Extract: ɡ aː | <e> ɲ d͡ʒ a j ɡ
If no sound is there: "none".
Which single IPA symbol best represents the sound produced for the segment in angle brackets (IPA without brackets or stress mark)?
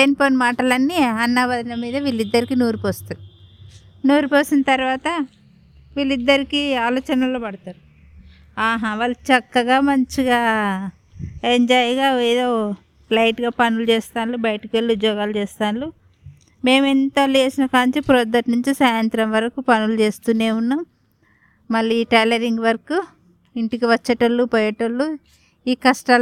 e